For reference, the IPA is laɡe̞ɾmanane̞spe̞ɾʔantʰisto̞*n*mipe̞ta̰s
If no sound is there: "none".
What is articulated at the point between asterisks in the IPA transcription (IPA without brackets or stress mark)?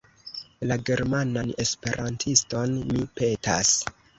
n